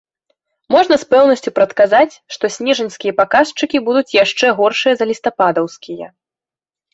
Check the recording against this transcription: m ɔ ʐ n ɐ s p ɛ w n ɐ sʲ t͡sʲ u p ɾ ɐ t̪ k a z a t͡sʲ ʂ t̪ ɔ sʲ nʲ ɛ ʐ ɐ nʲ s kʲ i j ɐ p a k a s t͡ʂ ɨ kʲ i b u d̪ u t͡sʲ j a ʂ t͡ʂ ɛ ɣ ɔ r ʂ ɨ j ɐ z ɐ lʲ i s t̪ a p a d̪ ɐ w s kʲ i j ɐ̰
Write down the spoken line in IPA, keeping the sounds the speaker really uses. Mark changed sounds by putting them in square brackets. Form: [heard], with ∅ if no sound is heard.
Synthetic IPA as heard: m ɔ ʐ n ɐ s p ɛ w n ɐ sʲ t͡sʲ u p ɾ ɐ t̪ k a z a t͡sʲ ʂ t̪ ɔ sʲ nʲ ɛ ʐ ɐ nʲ s kʲ i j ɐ p a k a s t͡ʂ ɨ kʲ i b u d̪ u t͡sʲ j a ʂ t͡ʂ ɛ ɣ ɔ r ʂ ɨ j ɐ z ɐ lʲ i s t̪ a p a d̪ ɐ w s kʲ i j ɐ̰